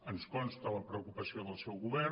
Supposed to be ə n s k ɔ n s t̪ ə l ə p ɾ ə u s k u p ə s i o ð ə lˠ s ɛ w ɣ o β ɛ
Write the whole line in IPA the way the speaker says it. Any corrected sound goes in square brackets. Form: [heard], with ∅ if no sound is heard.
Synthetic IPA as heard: ə n s k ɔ n s t̪ ə l ə p ɾ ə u [∅] k u p ə s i o ð ə lˠ s ɛ w ɣ [u] β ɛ